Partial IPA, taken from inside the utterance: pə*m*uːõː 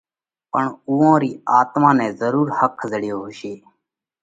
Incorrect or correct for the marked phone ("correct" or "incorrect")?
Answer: incorrect